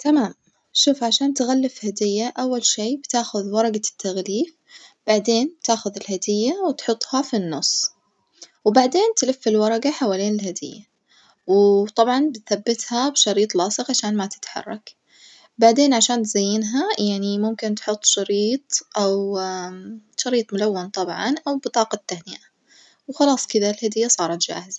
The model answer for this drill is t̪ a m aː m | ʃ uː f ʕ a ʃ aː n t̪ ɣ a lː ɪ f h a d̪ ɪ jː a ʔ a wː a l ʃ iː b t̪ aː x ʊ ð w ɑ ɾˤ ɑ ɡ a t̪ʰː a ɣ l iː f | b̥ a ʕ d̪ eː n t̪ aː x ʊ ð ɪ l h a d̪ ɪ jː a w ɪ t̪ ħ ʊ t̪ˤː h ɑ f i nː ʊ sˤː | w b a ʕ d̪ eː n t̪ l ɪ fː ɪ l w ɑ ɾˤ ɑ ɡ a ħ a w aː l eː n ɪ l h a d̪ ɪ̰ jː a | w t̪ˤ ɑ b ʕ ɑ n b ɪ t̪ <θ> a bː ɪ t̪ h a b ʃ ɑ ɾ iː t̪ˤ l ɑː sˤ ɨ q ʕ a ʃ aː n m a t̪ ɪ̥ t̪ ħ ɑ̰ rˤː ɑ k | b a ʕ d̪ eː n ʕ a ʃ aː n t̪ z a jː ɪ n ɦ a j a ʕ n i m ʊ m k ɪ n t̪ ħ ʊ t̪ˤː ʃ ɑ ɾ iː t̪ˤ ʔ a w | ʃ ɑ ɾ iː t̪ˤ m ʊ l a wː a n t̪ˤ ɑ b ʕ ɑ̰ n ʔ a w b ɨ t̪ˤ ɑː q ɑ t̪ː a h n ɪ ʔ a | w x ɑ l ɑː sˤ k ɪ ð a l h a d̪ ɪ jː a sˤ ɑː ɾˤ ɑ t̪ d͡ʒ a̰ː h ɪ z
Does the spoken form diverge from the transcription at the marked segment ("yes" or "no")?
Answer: no